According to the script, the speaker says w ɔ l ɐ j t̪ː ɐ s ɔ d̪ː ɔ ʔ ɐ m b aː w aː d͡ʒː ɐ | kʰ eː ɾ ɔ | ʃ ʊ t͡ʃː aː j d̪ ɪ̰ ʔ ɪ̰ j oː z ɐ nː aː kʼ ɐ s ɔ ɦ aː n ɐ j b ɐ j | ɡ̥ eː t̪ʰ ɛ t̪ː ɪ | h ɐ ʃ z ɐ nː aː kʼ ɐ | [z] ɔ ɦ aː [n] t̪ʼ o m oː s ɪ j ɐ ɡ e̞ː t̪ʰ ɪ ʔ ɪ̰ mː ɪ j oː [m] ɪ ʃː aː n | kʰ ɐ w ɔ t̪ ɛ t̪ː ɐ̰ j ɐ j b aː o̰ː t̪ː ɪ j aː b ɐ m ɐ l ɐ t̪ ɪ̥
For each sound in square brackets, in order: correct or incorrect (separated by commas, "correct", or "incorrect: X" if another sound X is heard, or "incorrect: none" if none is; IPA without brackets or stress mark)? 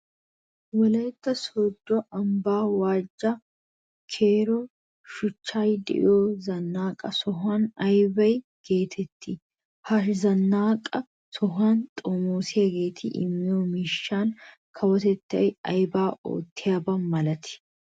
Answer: incorrect: s, correct, correct